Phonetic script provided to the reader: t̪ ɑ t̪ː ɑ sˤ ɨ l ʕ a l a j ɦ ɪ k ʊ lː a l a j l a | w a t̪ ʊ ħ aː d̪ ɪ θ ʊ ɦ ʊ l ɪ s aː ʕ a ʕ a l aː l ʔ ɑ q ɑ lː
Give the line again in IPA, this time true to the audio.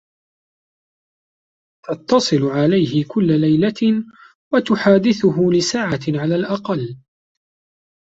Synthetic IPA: t̪ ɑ t̪ː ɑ sˤ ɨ l ʕ a l a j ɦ ɪ k ʊ lː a l a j l a | w a t̪ ʊ ħ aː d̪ ɪ θ ʊ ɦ ʊ l ɪ s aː ʕ a ʕ a l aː l ʔ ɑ q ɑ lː